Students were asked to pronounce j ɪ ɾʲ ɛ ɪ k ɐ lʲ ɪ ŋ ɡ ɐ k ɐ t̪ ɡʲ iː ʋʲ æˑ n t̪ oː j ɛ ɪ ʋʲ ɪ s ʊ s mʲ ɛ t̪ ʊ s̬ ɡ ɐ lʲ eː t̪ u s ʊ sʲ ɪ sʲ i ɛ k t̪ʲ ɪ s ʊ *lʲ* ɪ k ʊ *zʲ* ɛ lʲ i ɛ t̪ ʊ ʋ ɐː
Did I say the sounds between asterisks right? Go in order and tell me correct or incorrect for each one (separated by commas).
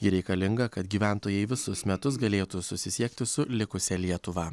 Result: correct, incorrect